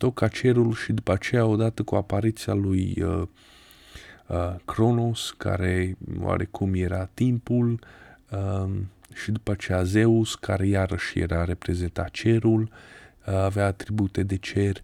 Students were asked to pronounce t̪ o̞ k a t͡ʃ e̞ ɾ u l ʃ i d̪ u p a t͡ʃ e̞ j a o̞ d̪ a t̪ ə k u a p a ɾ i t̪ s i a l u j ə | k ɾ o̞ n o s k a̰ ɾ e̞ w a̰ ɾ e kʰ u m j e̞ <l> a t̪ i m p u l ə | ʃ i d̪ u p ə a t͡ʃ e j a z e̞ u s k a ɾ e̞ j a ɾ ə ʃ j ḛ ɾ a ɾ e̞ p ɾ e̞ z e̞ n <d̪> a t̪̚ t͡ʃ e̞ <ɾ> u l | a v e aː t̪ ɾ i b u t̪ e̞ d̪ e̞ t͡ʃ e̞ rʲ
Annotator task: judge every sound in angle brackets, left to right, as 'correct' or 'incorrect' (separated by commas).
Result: incorrect, incorrect, correct